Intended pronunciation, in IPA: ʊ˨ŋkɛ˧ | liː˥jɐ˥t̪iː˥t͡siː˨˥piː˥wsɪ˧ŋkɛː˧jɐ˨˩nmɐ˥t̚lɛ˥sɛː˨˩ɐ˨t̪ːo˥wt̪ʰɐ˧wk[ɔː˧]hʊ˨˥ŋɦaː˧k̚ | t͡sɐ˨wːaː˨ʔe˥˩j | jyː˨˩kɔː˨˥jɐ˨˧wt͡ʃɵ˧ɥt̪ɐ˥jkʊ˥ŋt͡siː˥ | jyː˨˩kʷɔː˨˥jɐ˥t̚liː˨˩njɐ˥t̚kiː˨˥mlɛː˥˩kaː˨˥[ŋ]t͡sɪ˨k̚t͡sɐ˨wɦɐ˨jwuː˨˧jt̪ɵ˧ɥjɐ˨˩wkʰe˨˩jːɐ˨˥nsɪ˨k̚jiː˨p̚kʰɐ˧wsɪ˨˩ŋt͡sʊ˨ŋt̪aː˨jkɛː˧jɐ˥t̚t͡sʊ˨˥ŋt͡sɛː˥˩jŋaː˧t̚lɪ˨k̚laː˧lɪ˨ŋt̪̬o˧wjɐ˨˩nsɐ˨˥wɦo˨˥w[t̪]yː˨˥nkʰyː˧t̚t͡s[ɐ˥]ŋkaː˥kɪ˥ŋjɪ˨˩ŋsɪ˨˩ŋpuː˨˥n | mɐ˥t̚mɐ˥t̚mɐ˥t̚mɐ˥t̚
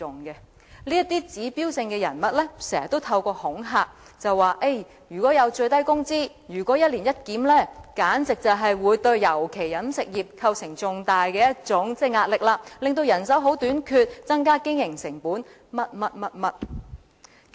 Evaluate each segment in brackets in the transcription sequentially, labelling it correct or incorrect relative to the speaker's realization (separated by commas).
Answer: correct, incorrect, correct, correct